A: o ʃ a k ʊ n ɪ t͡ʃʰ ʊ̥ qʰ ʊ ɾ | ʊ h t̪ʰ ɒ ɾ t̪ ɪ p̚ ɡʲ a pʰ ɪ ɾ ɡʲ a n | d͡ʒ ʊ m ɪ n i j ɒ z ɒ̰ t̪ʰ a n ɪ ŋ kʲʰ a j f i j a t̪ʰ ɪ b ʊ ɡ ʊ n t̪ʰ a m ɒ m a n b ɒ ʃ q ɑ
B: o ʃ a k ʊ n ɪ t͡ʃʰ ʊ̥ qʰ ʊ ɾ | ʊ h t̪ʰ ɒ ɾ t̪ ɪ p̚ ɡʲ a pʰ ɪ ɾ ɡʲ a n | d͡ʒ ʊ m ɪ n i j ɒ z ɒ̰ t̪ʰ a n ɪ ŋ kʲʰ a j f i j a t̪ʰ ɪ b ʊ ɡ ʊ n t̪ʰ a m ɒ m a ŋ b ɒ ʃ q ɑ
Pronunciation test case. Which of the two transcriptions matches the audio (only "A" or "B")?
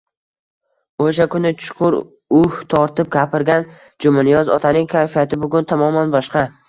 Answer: A